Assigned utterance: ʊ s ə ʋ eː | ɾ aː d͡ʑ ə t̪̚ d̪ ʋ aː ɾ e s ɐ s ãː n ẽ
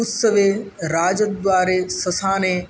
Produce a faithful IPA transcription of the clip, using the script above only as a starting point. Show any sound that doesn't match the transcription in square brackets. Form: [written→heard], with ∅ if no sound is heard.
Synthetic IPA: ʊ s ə ʋ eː | ɾ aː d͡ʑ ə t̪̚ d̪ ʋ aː ɾ e s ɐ s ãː n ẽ